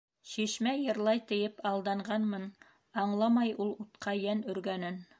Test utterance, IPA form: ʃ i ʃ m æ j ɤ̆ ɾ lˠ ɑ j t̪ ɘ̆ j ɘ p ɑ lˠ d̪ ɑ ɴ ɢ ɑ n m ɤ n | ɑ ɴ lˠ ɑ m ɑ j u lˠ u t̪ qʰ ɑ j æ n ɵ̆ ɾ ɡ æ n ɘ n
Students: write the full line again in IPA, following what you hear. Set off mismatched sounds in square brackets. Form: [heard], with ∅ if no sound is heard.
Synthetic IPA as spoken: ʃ i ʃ m æ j ɤ̆ ɾ lˠ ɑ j t̪ ɘ̆ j ɘ p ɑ lˠ d̪ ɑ ɴ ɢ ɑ n m ɤ n | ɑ ɴ lˠ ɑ m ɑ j u lˠ u t̪ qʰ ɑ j æ n ɵ̆ ɾ ɡ æ n ɘ n